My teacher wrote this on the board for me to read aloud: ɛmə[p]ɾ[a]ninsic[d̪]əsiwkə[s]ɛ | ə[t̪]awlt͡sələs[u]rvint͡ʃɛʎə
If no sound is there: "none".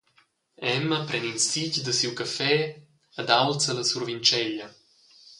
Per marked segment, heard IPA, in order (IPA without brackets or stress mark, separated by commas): p, ɛ, d̪, f, d̪, u